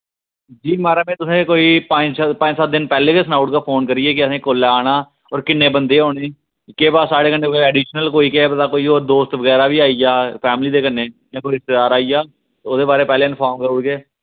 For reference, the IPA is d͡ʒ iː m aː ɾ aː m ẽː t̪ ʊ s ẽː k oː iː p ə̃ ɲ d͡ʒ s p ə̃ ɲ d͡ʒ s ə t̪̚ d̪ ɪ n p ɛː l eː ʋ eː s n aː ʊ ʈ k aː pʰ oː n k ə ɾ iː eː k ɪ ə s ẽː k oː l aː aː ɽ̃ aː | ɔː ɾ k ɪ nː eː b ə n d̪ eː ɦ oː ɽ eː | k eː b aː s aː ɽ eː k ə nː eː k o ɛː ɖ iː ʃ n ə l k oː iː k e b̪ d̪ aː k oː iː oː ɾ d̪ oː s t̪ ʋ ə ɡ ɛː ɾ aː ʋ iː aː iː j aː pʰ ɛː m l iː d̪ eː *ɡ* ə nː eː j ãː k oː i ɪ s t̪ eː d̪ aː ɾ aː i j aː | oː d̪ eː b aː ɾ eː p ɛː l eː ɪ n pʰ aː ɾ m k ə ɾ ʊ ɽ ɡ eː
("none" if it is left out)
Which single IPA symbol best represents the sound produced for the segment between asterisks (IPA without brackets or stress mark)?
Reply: k